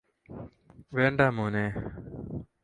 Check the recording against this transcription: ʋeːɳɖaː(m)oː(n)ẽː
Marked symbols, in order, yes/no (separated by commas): yes, yes